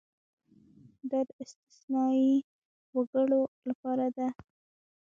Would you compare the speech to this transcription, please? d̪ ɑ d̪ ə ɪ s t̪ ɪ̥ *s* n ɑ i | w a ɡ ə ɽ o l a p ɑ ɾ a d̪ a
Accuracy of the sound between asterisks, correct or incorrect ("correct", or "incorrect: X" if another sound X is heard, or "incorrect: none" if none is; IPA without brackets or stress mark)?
correct